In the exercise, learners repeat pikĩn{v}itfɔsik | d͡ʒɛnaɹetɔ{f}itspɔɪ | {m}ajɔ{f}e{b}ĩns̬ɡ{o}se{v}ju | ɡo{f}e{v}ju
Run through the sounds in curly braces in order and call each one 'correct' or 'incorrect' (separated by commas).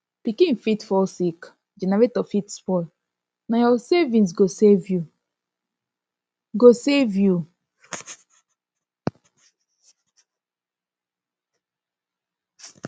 incorrect, correct, incorrect, incorrect, incorrect, correct, correct, incorrect, correct